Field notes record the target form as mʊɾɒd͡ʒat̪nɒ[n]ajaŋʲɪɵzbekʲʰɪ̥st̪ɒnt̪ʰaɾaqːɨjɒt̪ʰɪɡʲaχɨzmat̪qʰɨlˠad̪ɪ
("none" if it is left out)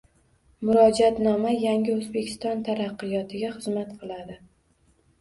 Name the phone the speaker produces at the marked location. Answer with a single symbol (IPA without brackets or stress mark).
m